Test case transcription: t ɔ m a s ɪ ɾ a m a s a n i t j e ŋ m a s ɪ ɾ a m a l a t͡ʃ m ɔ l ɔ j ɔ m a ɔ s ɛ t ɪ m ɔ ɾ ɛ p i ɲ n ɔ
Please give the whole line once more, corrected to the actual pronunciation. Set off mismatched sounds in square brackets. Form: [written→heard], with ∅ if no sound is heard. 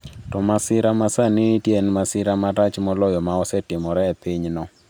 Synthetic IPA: t ɔ m a s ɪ ɾ a m a s a n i t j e [ŋ→n] m a s ɪ ɾ a m a [l→ɾ] a t͡ʃ m ɔ l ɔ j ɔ m a ɔ s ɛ t ɪ m ɔ ɾ ɛ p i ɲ n ɔ